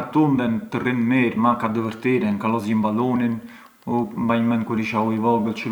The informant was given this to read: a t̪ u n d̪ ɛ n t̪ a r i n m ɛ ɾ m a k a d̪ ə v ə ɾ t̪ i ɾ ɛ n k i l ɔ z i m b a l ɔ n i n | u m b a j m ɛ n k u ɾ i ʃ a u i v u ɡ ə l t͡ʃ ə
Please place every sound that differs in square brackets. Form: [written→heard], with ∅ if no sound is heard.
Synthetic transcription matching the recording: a t̪ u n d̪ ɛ n t̪ [a→ə] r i n m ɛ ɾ m a k a d̪ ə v ə ɾ t̪ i ɾ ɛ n k [i→a] l ɔ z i m b a l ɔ n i n | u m b a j m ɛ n k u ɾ i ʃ a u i v [u→ɔ] ɡ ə l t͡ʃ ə